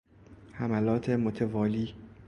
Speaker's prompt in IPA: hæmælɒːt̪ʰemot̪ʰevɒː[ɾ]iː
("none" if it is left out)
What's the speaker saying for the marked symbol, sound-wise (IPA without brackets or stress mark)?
l